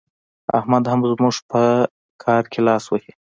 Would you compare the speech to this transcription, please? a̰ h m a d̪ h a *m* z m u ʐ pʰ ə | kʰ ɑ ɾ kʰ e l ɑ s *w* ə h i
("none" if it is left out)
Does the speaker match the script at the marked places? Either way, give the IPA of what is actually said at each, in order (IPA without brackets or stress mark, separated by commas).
m, w